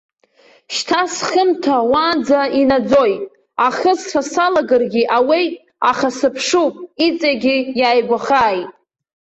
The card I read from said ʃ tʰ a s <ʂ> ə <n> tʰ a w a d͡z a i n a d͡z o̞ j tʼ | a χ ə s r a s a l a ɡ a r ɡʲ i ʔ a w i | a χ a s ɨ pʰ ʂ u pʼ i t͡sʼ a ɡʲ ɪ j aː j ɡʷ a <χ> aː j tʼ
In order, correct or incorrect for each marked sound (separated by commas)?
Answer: incorrect, incorrect, correct